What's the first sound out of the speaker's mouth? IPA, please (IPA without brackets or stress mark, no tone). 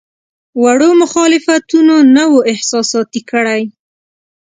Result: w